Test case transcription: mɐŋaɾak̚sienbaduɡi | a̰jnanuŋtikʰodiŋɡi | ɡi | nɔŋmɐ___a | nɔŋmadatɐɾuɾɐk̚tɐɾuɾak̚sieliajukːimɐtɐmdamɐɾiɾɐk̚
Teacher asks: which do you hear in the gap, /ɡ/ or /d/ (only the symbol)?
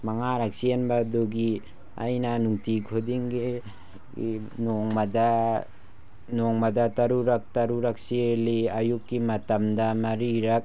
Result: d